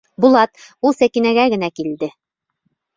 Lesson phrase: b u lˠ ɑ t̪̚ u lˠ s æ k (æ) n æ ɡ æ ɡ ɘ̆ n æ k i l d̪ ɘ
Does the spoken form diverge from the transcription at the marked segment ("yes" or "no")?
yes